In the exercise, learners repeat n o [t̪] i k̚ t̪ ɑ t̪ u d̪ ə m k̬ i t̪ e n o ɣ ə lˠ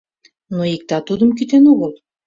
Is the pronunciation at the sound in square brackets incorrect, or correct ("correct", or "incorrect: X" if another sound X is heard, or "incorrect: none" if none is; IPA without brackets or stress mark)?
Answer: incorrect: none